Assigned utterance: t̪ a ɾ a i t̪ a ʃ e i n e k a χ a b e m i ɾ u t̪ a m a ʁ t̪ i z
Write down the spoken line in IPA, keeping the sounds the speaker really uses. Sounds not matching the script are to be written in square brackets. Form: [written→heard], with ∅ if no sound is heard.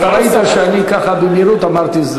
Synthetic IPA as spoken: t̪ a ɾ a i t̪ a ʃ e [i→a] n [e→i] k a χ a b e m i ɾ u t̪ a m a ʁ t̪ i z